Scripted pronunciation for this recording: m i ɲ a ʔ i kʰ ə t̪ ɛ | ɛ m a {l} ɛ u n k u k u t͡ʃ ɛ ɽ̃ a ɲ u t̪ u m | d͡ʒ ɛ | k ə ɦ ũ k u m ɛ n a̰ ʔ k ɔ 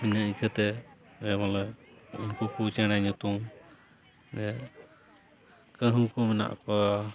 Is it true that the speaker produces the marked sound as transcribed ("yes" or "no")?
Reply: yes